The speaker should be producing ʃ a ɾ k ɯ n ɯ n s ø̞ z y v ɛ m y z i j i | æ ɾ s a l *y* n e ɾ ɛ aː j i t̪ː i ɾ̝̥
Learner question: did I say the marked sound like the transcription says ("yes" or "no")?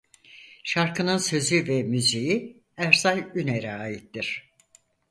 yes